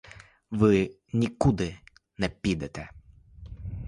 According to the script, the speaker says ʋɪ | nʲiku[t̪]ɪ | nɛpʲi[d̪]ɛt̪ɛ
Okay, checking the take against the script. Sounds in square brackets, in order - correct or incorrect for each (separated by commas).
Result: incorrect, correct